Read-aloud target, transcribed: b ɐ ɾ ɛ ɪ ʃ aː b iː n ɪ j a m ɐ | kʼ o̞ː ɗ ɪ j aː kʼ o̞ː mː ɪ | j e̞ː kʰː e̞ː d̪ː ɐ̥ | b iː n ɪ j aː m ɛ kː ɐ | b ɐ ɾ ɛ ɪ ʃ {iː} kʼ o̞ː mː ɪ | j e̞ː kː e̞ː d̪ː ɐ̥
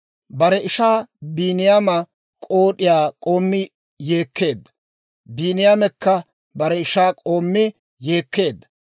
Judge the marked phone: incorrect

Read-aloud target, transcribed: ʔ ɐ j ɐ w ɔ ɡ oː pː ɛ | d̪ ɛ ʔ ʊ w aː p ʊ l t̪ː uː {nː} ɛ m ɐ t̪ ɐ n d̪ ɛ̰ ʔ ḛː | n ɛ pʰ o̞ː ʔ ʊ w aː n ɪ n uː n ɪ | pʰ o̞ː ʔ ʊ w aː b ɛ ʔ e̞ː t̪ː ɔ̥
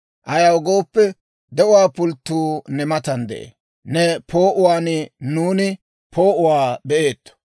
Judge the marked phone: incorrect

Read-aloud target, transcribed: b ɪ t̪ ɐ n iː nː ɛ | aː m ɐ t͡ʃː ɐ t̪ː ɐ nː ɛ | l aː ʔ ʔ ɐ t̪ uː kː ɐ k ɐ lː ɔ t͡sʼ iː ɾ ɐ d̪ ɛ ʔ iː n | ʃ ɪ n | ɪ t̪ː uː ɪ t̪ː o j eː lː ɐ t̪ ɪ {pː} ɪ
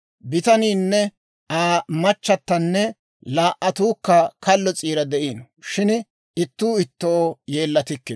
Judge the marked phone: incorrect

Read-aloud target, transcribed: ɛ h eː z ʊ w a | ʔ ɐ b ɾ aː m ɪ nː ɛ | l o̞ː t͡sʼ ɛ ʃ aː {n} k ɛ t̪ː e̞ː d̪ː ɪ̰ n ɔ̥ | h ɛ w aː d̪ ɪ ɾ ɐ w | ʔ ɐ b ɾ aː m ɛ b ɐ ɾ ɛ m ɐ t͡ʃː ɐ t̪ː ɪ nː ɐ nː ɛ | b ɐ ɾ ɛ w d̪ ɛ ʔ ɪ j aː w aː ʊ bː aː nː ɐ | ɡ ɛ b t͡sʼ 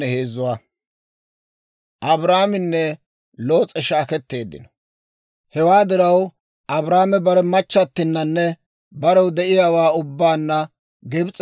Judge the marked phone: incorrect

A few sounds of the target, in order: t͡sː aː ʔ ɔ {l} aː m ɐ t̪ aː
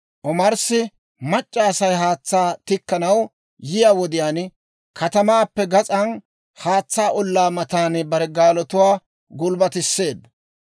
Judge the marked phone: incorrect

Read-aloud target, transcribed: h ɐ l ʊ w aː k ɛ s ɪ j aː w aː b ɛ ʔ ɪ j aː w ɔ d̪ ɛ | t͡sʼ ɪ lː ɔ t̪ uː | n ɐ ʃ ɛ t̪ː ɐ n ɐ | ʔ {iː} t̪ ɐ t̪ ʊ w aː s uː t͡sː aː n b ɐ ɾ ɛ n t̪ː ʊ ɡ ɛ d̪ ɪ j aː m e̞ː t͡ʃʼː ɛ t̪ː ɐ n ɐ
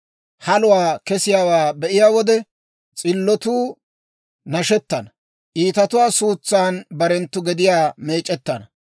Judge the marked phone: correct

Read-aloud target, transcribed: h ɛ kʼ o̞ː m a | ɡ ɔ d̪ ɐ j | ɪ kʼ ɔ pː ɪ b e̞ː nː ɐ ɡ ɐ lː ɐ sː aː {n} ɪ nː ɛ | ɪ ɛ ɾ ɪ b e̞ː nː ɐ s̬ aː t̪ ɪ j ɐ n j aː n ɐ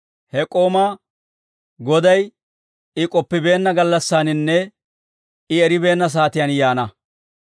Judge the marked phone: correct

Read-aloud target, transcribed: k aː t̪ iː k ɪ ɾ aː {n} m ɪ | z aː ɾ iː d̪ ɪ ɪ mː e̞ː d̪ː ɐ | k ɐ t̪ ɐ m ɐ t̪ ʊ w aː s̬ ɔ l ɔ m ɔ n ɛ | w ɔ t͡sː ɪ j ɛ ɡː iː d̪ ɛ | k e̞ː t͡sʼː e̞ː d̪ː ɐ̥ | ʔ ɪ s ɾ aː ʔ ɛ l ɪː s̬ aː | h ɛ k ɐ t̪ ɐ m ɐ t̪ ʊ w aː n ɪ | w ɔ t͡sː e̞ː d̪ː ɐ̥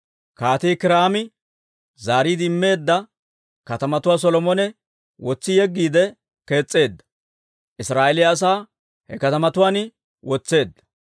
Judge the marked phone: incorrect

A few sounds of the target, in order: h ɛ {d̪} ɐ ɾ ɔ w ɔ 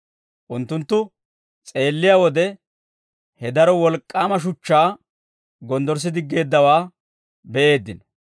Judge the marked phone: correct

